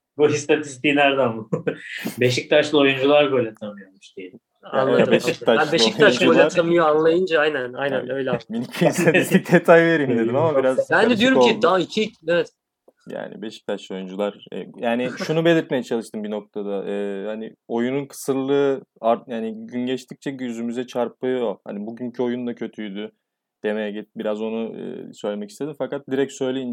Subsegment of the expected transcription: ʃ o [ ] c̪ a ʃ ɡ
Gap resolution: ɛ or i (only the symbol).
i